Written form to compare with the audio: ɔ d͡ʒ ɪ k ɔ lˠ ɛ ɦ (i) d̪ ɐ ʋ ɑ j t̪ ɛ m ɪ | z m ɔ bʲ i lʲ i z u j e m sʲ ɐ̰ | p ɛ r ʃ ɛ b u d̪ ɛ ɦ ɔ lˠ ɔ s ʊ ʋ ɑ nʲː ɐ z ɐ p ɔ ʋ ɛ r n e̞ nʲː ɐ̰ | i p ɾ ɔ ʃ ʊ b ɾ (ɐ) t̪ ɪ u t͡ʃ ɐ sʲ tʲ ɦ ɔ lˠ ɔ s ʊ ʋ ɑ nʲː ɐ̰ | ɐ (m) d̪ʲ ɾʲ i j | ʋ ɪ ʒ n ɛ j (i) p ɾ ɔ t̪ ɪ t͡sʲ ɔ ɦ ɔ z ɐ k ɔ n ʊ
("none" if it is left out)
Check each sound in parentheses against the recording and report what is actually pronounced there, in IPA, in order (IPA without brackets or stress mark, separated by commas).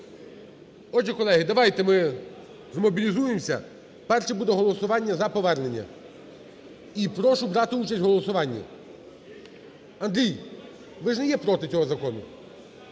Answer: ɪ, ɑ, n, ɛ